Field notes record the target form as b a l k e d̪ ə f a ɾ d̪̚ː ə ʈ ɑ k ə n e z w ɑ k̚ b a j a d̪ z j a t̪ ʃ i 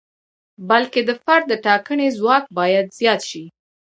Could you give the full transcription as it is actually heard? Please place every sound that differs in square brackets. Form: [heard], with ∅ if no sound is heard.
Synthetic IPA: b a l k e d̪ ə f a ɾ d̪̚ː ə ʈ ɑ k ə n e z w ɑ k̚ b [ɑ] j a d̪ z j [ɑ] t̪ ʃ i

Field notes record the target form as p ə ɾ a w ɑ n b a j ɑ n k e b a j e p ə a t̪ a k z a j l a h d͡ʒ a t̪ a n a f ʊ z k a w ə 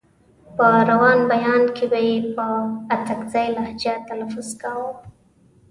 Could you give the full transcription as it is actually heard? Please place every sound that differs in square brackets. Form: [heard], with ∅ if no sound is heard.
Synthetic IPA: p ə ɾ a w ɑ n b a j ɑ n k e b a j e p ə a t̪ a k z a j l a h d͡ʒ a t̪ a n a f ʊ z k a w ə

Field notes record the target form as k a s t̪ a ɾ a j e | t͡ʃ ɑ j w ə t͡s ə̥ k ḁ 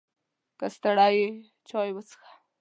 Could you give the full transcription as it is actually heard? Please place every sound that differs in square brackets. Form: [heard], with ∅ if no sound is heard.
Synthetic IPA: k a s t̪ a [ɽ] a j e | t͡ʃ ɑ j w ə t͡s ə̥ [x] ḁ

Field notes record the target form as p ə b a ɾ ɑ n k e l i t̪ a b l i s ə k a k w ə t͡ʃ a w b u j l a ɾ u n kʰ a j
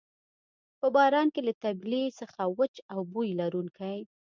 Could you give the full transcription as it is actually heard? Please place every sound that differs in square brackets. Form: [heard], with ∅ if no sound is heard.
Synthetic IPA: p ə b [ɑ] ɾ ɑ n k e l [a] t̪ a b l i s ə [x] a [∅] w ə t͡ʃ a w b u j l a ɾ u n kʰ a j

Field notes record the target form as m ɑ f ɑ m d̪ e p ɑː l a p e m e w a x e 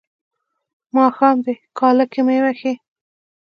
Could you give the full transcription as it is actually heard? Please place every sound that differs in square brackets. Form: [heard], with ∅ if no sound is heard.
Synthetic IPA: m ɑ [x] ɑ m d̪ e [k] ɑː l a [k] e m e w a x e

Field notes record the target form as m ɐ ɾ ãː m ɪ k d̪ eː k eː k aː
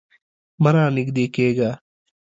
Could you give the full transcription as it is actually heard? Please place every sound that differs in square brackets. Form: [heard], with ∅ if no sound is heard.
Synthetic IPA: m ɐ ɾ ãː [n] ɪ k d̪ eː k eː [ɡ] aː

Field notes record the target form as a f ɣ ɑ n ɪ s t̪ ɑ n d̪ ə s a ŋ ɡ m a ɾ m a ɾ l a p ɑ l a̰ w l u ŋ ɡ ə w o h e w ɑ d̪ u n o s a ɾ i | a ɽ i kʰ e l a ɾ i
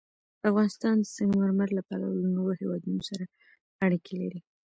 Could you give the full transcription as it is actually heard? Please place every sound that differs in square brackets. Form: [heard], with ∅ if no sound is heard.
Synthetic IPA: a f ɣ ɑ n ɪ s t̪ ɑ n d̪ ə s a ŋ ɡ m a ɾ m a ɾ l a p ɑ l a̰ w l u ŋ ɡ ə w o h e w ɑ d̪ u n o s a ɾ [a] | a ɽ i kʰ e l a ɾ i

